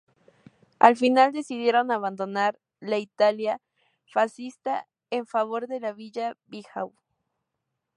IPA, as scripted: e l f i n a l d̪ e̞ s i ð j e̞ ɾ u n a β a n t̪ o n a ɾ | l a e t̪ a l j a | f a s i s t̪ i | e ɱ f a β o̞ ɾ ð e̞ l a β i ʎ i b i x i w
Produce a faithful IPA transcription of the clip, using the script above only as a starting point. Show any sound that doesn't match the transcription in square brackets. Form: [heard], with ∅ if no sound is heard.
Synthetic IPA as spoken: [a] l f i n a l d̪ e̞ s i ð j e̞ ɾ [o] n a β a n [d̪] o n a ɾ | l a [i] t̪ a l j a | f a s i s t̪ [a] | e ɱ f a β o̞ ɾ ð e̞ l a β i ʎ [a] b i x [a] w